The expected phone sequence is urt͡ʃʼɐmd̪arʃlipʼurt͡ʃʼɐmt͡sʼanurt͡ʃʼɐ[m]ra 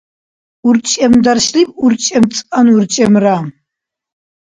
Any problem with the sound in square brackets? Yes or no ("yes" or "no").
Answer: no